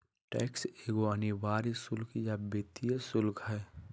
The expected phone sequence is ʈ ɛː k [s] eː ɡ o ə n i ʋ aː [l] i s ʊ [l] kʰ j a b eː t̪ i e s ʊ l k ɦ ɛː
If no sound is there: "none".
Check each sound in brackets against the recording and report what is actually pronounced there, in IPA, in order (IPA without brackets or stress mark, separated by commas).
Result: s, ɾ, l